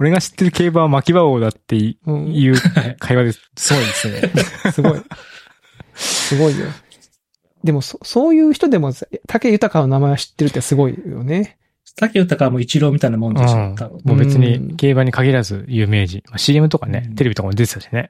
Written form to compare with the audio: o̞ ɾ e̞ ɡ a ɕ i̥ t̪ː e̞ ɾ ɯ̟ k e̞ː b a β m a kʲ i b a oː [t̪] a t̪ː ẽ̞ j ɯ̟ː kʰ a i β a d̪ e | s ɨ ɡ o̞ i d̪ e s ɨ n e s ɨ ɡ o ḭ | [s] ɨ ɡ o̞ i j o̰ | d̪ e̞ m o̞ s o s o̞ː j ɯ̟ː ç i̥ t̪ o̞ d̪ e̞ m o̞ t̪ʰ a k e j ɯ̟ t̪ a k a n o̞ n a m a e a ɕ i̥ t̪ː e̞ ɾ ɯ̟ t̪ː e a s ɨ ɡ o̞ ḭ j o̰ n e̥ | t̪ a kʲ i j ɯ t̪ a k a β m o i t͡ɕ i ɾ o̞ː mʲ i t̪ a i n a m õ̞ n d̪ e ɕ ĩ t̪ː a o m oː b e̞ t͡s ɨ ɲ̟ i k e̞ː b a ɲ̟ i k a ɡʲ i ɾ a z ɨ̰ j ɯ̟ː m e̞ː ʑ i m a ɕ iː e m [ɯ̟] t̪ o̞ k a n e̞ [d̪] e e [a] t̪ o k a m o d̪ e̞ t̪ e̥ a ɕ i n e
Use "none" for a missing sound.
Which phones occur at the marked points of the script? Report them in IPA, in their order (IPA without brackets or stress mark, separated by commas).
d̪, s, ɯ̟, t̪, i